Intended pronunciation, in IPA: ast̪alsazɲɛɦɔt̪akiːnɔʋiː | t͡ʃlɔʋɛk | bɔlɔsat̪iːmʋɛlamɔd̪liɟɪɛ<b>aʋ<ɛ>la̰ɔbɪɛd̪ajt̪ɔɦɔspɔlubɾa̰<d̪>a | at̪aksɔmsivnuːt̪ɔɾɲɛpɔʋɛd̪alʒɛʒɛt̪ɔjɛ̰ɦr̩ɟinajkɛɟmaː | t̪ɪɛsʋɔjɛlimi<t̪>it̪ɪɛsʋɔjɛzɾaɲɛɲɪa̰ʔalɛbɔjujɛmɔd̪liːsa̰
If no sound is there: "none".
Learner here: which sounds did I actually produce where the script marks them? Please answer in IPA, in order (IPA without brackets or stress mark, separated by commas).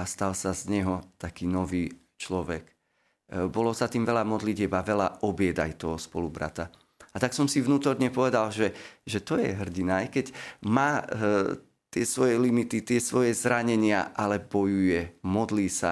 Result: b, ɛ, t̪, t̪